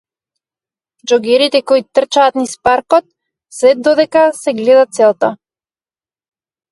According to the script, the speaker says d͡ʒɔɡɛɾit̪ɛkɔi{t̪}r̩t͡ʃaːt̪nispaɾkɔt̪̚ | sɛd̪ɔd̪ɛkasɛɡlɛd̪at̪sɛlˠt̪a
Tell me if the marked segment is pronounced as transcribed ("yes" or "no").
yes